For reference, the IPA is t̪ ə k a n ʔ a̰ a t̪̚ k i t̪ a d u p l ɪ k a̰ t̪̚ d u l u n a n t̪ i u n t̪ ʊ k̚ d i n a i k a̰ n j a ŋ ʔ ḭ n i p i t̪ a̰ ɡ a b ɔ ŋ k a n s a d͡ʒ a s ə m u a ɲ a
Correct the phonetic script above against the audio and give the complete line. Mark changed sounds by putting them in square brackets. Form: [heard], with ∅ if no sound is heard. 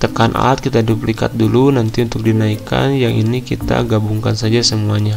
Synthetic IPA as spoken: t̪ ə k a n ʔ a̰ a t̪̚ k i t̪ a d u p l [i] k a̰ t̪̚ d u l u n a n t̪ i u n t̪ ʊ k̚ d i n a i k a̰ n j a ŋ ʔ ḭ n i [k] i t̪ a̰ ɡ a b [u] ŋ k a n s a d͡ʒ a s ə m u a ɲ a

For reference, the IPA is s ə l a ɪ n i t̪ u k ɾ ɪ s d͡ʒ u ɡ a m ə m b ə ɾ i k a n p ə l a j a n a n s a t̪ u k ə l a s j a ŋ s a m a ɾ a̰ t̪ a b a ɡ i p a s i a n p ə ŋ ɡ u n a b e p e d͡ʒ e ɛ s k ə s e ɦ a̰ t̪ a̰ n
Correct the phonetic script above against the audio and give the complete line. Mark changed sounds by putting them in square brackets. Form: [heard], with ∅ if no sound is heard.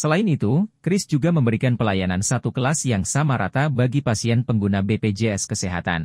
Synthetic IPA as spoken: s ə l a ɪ n i t̪ u k ɾ ɪ s d͡ʒ u ɡ a m ə m b ə ɾ i k a n p ə l a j a n a n s a t̪ u k ə l a s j a ŋ s a m a ɾ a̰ t̪ a b a ɡ i p a s i [ɛ] n p ə ŋ ɡ u n a b e p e d͡ʒ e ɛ s k ə s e ɦ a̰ t̪ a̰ n

